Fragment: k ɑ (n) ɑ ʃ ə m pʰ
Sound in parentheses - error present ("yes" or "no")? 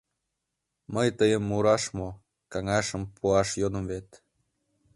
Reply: yes